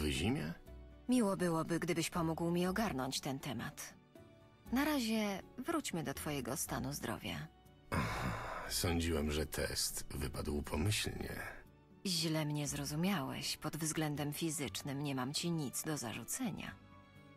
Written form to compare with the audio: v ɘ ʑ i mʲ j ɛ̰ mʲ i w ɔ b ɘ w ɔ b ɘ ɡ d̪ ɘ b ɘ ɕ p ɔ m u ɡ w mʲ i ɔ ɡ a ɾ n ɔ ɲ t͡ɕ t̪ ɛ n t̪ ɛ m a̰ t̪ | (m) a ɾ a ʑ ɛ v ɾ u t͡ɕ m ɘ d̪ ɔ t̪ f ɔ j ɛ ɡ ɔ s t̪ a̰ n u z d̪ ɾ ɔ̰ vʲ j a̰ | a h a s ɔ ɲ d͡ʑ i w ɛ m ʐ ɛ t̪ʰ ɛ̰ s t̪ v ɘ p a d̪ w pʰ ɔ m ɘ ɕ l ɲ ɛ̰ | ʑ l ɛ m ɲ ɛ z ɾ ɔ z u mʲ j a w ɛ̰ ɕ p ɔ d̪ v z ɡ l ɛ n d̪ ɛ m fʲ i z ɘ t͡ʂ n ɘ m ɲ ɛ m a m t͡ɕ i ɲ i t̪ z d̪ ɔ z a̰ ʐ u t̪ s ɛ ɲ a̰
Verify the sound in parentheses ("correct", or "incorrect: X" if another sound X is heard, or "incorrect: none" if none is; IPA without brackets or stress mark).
incorrect: n